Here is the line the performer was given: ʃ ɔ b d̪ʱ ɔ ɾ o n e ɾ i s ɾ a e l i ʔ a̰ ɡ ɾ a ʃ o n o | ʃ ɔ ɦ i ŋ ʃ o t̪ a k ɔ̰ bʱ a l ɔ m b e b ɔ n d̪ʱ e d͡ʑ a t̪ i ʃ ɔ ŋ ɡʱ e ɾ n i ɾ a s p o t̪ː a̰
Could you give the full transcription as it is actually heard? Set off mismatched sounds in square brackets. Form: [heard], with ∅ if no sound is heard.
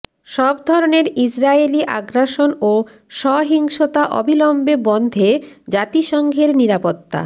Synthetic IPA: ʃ ɔ b d̪ʱ ɔ ɾ o n e ɾ i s ɾ a e l i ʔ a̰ ɡ ɾ a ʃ o n o | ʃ ɔ ɦ i ŋ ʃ o t̪ a [ʔ] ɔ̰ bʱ [i] l ɔ m b e b ɔ n d̪ʱ e d͡ʑ a t̪ i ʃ ɔ ŋ ɡʱ e ɾ n i ɾ a [∅] p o t̪ː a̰